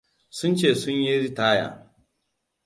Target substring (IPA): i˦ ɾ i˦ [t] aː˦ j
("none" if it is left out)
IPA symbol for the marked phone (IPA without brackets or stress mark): t